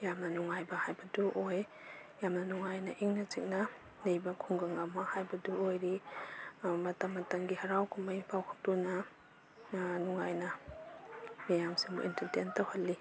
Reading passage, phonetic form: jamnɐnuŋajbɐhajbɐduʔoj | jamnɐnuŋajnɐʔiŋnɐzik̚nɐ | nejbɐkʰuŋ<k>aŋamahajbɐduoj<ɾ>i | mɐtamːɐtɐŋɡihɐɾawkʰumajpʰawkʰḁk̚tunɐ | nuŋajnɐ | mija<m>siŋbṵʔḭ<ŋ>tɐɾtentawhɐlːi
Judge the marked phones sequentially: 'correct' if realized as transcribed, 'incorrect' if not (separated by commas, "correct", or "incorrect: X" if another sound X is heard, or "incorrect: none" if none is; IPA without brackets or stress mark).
incorrect: ɡ, correct, correct, incorrect: n